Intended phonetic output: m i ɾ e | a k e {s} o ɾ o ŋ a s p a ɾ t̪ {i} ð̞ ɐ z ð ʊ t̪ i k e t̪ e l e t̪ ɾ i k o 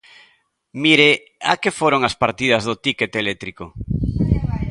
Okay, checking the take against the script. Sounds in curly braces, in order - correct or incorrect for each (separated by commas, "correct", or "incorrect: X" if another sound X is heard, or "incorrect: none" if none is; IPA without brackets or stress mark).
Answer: incorrect: f, correct